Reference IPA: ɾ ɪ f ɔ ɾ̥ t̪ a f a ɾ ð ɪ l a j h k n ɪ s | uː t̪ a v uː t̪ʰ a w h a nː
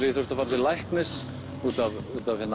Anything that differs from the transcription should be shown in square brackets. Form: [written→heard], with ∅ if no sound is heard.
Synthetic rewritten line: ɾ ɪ [f→θ] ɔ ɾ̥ t̪ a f a ɾ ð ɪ l a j h k n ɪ s | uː t̪ a v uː [t̪ʰ→t̪] a [w→v] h [a→ɛ] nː